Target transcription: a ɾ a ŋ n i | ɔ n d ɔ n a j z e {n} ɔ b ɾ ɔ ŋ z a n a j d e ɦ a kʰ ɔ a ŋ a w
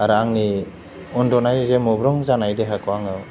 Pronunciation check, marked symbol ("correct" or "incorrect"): incorrect